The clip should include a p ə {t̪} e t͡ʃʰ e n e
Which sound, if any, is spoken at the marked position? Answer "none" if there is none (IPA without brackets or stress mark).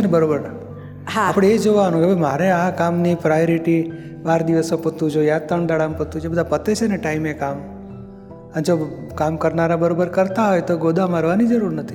t̪